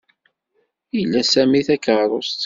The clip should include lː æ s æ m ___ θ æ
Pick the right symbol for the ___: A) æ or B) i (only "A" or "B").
B